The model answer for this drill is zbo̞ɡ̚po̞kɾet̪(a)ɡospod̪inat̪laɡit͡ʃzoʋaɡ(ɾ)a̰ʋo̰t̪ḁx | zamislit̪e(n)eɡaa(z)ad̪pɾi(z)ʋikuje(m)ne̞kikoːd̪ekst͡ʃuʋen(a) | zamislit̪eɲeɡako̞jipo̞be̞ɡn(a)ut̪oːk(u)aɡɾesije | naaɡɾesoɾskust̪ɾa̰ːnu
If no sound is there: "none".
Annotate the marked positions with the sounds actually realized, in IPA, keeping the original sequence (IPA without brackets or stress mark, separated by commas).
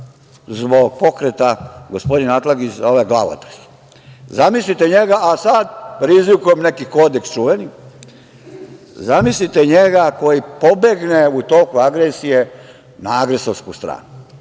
a, l, ɲ, s, z, m, i, e, u